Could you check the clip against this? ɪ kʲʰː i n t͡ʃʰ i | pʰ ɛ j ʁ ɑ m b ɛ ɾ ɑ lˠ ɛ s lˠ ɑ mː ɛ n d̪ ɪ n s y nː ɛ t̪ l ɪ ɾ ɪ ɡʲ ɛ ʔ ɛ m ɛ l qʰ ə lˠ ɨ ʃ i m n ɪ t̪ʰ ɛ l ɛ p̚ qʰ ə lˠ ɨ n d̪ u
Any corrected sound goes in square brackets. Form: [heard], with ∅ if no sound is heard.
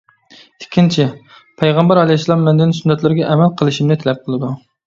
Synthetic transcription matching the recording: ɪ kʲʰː i n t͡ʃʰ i | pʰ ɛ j ʁ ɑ m b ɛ ɾ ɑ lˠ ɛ s lˠ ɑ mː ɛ n d̪ ɪ n s y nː ɛ t̪ l ɪ ɾ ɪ ɡʲ ɛ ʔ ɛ m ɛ l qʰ ə lˠ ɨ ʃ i m n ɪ t̪ʰ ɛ l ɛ p̚ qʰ ə lˠ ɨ [∅] d̪ u